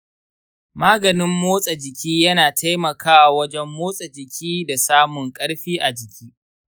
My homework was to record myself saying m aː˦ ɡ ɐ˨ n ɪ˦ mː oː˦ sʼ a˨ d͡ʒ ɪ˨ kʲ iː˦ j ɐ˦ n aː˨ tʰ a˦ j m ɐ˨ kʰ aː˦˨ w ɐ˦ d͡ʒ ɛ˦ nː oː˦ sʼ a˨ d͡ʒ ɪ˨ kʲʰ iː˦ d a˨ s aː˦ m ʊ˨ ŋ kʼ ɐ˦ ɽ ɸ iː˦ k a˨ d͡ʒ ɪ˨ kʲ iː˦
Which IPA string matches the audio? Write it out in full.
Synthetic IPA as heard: m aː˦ ɡ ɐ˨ n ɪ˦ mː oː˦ sʼ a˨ d͡ʒ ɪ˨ kʲ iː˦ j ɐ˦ n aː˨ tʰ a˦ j m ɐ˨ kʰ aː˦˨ w ɐ˦ d͡ʒ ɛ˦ mː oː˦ sʼ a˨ d͡ʒ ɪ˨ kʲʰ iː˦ d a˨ s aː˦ m ʊ˨ ŋ kʼ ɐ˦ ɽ ɸ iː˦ ʔ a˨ d͡ʒ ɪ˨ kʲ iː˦